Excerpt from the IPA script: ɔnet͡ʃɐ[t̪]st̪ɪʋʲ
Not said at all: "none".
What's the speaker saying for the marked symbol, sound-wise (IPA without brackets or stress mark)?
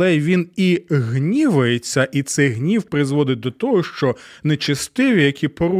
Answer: none